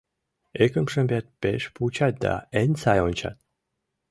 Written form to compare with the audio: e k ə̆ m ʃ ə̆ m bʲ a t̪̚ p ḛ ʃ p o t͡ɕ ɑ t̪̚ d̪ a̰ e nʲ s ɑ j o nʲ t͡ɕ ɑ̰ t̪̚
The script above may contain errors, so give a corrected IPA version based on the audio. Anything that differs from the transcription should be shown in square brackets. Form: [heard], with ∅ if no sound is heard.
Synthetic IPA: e k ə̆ m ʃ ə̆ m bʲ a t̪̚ p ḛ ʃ p [u] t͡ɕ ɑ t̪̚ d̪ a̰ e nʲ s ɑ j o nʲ t͡ɕ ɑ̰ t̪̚